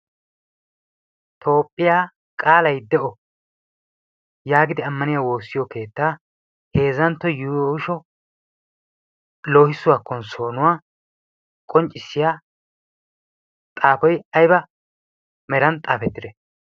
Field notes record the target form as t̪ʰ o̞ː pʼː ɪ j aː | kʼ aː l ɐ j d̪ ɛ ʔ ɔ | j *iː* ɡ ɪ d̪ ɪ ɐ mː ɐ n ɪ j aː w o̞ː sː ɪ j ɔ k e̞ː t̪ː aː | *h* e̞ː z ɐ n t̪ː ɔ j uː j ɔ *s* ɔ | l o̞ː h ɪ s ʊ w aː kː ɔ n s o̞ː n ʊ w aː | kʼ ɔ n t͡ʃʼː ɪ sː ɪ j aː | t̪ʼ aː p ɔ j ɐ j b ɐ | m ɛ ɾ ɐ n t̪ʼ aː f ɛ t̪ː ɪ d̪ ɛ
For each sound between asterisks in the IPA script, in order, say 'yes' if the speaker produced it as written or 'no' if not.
no, yes, no

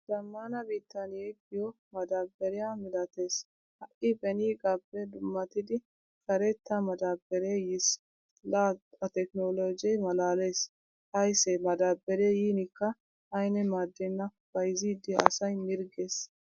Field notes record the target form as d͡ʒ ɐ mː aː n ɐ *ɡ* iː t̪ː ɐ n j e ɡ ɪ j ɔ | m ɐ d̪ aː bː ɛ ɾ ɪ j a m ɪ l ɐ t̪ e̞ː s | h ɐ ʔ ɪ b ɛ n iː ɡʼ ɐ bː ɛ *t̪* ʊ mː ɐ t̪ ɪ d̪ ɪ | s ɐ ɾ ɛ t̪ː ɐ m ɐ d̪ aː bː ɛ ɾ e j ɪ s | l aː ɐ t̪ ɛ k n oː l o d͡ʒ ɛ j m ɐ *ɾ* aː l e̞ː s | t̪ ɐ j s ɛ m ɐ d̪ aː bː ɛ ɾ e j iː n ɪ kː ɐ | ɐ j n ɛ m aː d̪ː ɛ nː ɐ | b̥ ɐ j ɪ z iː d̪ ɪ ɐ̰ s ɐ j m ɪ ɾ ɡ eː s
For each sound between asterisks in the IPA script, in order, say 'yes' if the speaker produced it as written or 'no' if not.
no, no, no

